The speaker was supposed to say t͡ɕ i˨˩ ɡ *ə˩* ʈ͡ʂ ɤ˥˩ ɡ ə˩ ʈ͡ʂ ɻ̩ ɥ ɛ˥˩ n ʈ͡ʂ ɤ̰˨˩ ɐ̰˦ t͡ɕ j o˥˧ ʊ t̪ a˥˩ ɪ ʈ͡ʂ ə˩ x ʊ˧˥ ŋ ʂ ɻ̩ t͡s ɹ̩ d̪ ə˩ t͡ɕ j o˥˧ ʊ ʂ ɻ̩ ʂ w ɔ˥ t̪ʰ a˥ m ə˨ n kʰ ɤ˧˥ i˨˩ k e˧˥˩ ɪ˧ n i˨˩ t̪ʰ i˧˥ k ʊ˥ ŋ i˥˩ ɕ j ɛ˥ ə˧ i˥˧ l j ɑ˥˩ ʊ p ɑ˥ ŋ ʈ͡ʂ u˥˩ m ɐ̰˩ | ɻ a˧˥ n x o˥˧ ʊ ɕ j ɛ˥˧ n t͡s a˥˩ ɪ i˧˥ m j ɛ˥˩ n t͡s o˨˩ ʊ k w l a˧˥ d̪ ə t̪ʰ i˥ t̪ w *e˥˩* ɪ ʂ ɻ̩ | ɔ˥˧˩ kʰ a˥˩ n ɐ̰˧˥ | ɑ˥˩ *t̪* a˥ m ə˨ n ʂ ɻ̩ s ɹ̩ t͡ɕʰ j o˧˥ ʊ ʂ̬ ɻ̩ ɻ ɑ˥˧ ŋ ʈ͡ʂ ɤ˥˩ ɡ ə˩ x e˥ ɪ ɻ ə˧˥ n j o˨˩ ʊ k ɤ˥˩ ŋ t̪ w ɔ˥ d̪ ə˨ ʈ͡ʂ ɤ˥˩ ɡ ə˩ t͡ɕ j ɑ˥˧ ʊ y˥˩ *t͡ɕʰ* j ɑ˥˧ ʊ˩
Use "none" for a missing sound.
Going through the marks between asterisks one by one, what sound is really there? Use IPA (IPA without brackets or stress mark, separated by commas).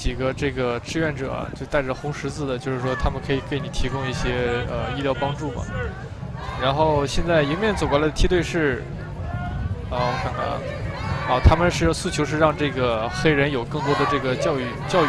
ə˦, e˥˧, t̪ʰ, t͡ɕ